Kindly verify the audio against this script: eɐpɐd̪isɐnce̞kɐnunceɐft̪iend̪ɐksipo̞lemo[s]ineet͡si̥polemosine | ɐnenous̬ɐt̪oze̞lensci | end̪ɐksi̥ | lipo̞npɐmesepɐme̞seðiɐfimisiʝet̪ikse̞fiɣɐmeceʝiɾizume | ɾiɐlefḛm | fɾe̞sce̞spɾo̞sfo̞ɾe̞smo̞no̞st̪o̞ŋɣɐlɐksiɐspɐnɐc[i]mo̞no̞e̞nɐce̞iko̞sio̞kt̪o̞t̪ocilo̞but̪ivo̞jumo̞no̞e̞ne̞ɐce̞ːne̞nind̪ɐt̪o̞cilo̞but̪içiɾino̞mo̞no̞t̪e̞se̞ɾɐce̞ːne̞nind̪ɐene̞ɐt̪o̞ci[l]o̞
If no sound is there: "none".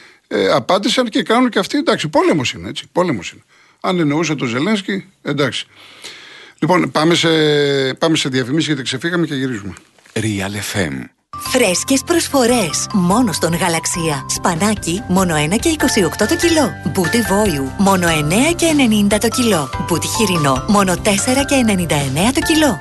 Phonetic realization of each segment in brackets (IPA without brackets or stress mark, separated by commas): s, i, l